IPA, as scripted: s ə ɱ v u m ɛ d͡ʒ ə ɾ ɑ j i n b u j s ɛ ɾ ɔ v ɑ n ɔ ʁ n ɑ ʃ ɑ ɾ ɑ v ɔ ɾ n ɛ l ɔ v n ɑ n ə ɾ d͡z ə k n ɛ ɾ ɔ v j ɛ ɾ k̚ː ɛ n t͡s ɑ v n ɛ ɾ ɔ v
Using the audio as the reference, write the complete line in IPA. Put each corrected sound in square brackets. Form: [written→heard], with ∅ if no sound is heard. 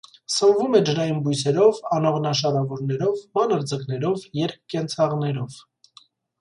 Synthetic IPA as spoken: s ə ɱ v u m ɛ d͡ʒ ə ɾ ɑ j i n b u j s ɛ ɾ ɔ v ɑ n ɔ ʁ n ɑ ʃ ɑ ɾ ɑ v ɔ ɾ n ɛ [l→ɾ] ɔ v [n→m] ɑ n ə ɾ d͡z ə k n ɛ ɾ ɔ v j ɛ ɾ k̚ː ɛ n [t͡s→t͡sʰ] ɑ [v→ʁ] n ɛ ɾ ɔ v